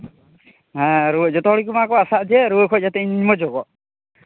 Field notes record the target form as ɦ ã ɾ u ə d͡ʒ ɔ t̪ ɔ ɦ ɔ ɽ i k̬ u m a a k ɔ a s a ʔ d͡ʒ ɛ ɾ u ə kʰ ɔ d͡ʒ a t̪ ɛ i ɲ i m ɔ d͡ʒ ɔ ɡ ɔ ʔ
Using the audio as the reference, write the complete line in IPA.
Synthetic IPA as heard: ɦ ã ɾ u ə d͡ʒ ɔ t̪ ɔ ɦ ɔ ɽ i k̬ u m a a k ɔ a s a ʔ d͡ʒ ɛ ɾ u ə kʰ ɔ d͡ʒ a t̪ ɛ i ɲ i m ɔ d͡ʒ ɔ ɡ ɔ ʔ